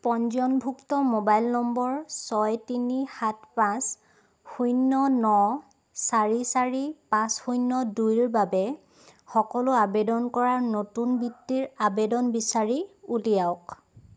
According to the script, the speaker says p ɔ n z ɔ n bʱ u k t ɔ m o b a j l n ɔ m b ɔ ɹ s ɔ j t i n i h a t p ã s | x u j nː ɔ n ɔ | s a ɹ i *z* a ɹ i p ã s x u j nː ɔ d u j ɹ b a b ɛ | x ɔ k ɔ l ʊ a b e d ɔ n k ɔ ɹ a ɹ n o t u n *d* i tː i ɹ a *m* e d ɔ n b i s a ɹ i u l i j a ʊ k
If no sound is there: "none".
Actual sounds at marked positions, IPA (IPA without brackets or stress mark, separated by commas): s, b, b